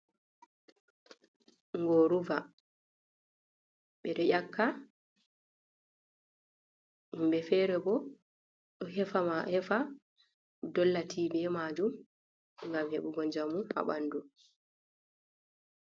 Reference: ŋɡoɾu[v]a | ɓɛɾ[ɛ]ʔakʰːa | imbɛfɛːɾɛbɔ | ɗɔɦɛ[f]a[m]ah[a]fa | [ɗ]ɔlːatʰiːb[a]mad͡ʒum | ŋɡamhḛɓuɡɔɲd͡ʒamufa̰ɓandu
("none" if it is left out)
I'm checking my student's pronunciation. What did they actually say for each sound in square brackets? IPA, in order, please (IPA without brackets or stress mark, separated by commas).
v, ɛ, f, m, ɛ, d, ɛ